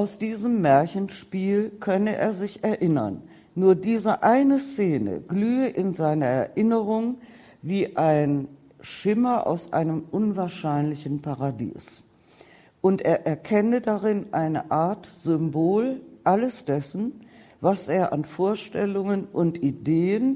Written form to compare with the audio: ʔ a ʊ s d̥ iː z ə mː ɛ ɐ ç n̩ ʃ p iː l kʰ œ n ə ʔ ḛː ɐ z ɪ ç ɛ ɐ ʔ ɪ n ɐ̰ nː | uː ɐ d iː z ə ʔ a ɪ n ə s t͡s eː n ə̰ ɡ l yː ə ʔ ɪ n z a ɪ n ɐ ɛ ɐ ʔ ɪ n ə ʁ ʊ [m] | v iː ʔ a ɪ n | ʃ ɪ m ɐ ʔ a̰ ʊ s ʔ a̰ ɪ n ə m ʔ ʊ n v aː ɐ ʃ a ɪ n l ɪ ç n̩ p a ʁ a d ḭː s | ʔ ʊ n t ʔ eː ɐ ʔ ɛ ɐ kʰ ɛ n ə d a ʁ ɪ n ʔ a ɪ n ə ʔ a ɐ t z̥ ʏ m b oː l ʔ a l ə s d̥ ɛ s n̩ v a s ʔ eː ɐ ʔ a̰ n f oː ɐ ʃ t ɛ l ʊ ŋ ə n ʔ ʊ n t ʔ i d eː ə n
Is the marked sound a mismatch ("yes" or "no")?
yes